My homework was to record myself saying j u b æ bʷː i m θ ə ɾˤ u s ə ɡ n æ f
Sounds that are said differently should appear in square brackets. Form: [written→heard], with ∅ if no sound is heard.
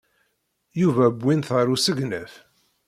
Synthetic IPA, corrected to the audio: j u [b→v] æ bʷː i [m→n] θ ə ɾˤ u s ə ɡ n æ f